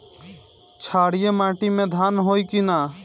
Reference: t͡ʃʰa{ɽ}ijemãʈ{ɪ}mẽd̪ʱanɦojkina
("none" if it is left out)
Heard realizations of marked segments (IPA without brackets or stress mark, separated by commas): ɽ, i